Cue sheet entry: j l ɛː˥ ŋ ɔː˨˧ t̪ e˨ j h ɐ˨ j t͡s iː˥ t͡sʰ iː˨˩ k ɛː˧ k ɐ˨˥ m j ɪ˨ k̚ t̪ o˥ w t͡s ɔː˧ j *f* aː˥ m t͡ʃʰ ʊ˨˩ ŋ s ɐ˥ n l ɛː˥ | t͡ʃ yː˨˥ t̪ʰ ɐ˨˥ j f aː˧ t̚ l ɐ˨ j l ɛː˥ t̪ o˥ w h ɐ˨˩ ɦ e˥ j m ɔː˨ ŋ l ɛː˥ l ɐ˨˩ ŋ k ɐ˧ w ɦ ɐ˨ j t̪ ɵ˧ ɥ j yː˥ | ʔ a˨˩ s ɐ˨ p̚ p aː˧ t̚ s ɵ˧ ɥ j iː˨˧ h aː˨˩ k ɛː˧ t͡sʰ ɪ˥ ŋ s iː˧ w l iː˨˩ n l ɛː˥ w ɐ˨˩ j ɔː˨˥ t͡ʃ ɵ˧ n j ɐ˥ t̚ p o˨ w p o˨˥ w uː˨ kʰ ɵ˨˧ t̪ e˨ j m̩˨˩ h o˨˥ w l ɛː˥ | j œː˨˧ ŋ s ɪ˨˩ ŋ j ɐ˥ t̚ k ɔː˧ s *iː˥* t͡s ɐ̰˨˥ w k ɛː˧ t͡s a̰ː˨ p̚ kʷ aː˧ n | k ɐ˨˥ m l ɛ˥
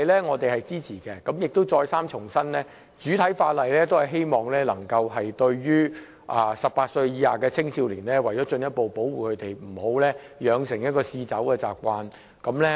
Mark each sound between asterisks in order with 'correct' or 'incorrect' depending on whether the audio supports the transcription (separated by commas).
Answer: incorrect, incorrect